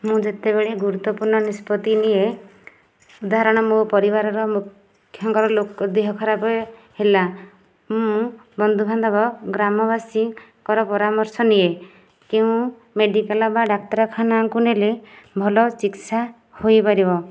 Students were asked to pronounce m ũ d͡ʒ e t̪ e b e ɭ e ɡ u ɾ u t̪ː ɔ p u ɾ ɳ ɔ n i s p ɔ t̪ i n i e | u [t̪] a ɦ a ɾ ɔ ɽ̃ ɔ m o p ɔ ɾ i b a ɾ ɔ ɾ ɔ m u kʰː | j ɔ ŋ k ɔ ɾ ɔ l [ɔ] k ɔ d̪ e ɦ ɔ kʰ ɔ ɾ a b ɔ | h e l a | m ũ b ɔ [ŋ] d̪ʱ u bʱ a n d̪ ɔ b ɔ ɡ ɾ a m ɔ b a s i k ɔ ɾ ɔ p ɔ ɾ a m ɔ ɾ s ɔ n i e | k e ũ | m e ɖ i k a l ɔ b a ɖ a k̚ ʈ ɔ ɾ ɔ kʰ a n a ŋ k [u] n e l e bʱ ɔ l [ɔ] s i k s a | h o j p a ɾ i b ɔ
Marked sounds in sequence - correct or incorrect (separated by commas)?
incorrect, incorrect, incorrect, correct, correct